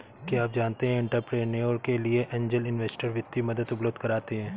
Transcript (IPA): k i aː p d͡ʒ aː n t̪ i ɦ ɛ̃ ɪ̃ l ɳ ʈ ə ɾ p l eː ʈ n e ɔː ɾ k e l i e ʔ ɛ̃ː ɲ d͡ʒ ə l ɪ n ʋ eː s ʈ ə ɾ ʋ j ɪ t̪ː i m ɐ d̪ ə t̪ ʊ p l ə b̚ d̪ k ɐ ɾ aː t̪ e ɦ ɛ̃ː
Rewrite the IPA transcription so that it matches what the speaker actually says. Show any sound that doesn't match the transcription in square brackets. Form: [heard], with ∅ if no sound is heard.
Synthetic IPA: k i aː p d͡ʒ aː n t̪ [e] ɦ ɛ̃ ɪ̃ [∅] ɳ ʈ ə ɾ p [ɾ] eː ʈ n e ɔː ɾ k e l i e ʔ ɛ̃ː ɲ d͡ʒ ə l ɪ n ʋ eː s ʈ ə ɾ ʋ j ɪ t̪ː i m ɐ d̪ ə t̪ ʊ p l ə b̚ d̪ k ɐ ɾ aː t̪ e ɦ ɛ̃ː